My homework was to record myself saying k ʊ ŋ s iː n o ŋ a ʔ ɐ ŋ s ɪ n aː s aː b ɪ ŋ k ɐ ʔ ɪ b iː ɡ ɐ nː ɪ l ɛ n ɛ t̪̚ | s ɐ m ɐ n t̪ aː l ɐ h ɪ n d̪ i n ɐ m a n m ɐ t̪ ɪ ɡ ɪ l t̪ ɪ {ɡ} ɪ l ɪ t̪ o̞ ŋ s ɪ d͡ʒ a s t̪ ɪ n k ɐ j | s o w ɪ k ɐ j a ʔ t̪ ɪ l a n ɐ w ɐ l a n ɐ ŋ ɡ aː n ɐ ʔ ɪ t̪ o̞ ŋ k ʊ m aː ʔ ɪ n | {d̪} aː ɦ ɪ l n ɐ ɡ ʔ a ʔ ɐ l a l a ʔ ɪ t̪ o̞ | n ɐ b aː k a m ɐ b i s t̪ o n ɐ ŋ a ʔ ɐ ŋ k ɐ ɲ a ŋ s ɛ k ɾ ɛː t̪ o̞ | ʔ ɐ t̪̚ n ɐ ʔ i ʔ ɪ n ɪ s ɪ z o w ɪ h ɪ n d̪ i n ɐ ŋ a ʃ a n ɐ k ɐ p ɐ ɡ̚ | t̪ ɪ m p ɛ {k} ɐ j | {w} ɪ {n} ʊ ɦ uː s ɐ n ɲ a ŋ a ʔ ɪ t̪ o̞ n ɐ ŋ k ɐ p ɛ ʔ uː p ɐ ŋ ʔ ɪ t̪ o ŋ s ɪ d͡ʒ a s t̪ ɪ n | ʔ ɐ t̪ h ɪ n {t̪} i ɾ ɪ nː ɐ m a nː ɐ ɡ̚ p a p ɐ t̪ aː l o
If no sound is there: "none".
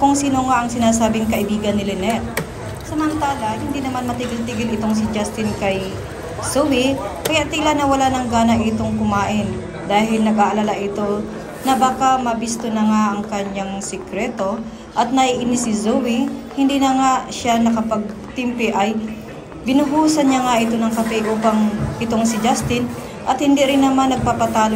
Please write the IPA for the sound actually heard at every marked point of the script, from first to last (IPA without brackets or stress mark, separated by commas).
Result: ɡ, d̪, ʔ, b, n, d̪